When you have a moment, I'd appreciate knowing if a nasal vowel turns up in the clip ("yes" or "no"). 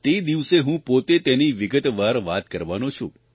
yes